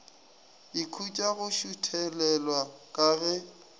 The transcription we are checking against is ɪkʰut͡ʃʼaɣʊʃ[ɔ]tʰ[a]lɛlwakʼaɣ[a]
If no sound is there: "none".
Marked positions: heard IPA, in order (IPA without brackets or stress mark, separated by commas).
u, ɛ, ɛ